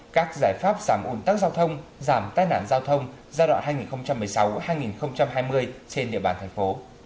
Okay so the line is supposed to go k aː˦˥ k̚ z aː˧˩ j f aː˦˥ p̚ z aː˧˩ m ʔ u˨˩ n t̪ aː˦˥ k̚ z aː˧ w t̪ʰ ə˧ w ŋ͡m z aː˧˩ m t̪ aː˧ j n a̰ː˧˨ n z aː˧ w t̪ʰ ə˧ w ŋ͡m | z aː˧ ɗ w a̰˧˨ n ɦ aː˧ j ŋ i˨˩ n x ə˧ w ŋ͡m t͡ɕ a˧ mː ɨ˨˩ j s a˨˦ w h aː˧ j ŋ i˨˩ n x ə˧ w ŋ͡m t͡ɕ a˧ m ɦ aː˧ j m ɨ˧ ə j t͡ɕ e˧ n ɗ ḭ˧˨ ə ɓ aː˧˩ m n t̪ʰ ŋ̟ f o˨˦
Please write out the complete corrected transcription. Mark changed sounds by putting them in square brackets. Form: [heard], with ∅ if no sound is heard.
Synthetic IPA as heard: k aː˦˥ k̚ z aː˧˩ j f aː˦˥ p̚ z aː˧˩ m ʔ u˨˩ n t̪ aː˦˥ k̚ z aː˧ w t̪ʰ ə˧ w ŋ͡m z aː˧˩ m t̪ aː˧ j n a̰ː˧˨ n z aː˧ w t̪ʰ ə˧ w ŋ͡m | z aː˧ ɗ w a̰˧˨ n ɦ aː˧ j ŋ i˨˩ n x ə˧ w ŋ͡m t͡ɕ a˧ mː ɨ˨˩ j s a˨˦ w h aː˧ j ŋ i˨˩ n x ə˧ w ŋ͡m t͡ɕ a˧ m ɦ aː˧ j m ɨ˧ ə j t͡ɕ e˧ n ɗ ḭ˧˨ ə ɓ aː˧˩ [∅] n t̪ʰ ŋ̟ f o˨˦